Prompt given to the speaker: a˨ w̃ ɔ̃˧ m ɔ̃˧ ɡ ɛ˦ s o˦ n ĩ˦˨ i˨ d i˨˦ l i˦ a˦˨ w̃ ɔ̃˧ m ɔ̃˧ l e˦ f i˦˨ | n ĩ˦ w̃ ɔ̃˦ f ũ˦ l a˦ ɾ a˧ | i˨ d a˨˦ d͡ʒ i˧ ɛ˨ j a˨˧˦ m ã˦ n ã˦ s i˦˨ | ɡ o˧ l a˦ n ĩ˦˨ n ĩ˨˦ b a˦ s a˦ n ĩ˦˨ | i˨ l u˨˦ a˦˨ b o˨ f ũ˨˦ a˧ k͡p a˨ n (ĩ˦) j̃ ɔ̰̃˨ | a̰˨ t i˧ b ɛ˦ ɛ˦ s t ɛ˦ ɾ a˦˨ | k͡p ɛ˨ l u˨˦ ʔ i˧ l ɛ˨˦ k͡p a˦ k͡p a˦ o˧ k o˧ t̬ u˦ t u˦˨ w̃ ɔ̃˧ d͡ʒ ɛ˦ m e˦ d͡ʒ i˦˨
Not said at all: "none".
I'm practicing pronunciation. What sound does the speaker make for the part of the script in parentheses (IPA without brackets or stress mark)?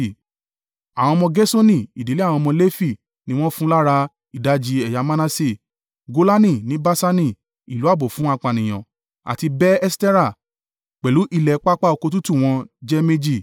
ĩ˨